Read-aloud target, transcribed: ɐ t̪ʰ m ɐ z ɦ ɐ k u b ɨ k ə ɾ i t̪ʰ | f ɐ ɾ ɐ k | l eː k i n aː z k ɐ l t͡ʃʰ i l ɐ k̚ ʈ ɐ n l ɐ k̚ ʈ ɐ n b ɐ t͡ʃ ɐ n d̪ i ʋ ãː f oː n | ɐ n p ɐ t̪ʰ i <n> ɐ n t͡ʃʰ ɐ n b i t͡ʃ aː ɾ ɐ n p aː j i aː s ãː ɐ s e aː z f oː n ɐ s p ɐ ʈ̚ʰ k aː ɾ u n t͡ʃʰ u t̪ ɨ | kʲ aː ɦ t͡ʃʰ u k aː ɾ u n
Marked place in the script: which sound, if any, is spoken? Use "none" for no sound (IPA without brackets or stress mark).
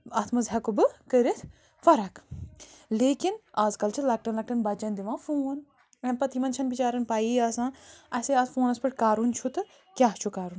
m